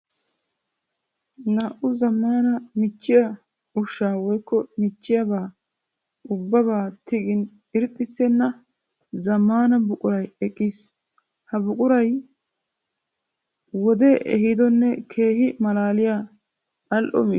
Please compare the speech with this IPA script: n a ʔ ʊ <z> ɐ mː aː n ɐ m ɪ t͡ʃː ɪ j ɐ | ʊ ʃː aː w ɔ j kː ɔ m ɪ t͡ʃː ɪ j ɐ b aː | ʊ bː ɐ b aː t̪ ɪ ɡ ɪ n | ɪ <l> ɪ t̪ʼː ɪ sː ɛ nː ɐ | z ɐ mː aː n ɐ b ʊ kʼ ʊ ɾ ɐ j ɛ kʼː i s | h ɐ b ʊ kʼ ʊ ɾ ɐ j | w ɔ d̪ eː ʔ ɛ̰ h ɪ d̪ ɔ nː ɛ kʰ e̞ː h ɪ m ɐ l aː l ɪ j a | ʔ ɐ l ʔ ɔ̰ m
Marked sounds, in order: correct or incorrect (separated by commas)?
correct, incorrect